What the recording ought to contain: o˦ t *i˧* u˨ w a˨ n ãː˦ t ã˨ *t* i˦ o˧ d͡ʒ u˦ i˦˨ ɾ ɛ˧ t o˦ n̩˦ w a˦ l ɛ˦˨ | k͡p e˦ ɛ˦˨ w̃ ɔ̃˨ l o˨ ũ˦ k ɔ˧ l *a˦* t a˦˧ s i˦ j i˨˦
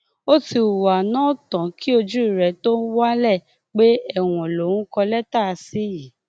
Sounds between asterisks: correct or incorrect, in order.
correct, incorrect: k, incorrect: ɛ˦

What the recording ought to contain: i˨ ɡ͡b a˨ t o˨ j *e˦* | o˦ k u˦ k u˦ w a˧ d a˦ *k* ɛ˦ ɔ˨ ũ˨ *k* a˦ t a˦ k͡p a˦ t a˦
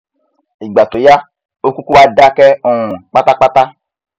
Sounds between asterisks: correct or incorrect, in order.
incorrect: a˦, correct, incorrect: k͡p

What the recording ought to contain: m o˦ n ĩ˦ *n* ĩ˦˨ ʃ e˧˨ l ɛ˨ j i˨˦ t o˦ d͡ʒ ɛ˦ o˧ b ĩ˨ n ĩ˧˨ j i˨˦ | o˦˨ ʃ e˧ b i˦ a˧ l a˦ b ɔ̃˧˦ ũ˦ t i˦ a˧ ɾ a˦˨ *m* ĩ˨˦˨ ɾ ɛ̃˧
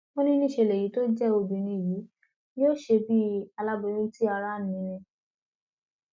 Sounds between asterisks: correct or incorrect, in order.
correct, incorrect: n

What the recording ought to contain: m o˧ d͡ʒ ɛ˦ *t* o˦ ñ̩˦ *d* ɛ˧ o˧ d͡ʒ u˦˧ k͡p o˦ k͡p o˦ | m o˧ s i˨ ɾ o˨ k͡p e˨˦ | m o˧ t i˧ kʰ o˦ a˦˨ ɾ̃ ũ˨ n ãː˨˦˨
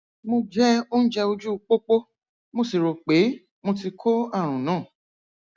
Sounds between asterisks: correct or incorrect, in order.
incorrect: none, incorrect: d͡ʒ

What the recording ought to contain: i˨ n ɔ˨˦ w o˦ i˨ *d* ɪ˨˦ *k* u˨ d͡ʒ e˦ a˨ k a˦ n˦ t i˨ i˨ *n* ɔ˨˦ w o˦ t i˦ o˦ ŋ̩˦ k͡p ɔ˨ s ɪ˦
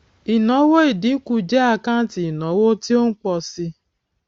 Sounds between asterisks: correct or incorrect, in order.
correct, correct, correct

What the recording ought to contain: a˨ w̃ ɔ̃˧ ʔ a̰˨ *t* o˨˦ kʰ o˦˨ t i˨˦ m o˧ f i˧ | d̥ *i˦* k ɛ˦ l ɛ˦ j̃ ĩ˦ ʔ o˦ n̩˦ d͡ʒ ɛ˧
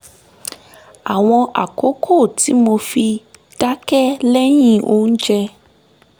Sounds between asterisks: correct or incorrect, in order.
incorrect: k, incorrect: a˦

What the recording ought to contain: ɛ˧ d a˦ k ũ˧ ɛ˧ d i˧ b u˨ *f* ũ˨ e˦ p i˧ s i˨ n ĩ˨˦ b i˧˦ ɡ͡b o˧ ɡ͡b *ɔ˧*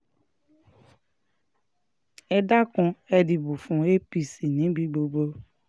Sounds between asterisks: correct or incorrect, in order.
correct, incorrect: o˧

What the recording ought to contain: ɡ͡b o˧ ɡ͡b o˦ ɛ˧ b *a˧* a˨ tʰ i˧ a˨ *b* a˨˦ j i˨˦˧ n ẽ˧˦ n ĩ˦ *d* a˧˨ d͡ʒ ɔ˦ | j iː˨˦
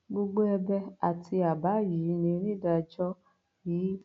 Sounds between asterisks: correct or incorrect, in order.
incorrect: ɛ˧, correct, correct

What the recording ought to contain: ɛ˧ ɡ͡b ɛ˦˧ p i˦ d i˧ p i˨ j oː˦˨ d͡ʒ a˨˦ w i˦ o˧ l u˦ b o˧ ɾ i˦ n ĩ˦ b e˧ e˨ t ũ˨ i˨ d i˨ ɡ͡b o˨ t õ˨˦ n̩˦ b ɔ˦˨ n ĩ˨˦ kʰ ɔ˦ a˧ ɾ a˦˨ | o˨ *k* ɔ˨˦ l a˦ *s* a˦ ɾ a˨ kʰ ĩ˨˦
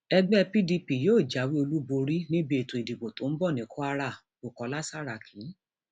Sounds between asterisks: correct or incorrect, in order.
correct, correct

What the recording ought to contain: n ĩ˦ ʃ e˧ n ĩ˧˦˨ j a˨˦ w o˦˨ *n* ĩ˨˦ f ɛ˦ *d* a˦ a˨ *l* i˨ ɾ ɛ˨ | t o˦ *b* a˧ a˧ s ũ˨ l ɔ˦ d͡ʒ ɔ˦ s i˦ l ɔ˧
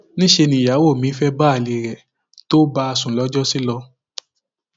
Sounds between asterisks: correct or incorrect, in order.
incorrect: m, incorrect: b, correct, correct

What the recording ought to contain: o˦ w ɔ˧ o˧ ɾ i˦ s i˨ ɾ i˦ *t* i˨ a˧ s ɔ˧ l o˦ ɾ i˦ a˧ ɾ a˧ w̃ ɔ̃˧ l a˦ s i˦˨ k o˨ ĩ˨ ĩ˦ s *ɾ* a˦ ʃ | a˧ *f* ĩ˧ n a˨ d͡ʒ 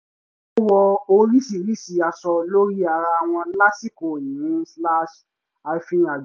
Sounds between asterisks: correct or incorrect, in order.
incorrect: s, incorrect: l, correct

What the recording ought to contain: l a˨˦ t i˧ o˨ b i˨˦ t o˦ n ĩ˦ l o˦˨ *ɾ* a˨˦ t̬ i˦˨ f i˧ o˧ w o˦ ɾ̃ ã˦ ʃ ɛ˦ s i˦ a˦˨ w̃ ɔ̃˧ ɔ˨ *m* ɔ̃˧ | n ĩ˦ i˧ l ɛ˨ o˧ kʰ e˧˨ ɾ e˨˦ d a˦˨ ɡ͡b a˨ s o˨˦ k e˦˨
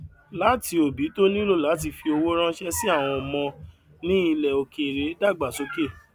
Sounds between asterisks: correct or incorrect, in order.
incorrect: l, correct

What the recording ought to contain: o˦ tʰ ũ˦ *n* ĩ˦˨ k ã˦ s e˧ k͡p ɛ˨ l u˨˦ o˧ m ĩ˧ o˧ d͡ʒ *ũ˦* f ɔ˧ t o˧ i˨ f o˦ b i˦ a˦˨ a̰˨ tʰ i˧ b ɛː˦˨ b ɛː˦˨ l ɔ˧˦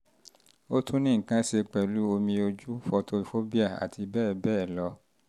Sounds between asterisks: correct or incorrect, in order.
correct, incorrect: u˦

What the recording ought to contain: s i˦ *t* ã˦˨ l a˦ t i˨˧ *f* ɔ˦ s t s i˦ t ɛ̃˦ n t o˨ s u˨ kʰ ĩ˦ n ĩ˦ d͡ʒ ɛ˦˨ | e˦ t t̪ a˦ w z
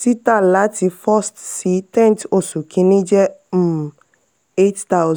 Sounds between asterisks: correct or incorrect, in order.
correct, correct

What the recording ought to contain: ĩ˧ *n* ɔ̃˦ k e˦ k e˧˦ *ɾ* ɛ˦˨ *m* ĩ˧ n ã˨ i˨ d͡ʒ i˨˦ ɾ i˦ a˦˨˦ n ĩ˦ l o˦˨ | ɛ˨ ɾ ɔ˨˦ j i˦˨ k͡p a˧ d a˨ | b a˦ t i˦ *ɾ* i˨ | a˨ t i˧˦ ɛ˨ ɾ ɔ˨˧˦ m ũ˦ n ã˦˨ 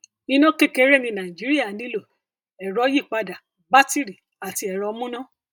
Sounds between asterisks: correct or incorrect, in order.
correct, correct, incorrect: n, correct

